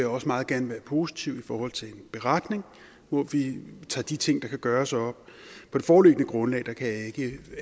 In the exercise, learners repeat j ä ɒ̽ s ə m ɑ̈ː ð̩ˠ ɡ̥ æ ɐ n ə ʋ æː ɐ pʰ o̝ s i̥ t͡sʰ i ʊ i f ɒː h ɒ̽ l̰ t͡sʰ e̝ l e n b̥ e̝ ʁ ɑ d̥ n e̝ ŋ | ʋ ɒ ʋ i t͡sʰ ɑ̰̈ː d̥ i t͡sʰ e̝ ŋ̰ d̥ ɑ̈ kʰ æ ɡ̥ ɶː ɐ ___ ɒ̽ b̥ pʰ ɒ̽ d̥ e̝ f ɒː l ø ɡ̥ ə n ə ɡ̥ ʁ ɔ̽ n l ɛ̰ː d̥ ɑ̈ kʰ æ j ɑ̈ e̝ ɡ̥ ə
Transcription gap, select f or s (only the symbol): s